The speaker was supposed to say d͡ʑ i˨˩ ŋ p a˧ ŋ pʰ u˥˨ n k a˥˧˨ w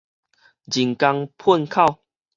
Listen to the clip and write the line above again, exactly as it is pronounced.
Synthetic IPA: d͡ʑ i˨˩ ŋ k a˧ ŋ pʰ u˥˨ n kʰ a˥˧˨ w